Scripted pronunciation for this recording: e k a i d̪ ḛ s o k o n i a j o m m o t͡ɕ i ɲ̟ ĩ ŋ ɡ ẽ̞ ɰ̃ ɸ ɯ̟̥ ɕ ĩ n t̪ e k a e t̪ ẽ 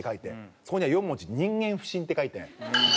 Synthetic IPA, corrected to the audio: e k a i t̪ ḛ s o k o ɲ i a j o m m o t͡ɕ i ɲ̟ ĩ ŋ ɡ ẽ̞ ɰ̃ ɸ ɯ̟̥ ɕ ĩ n t̪ e k a i t̪ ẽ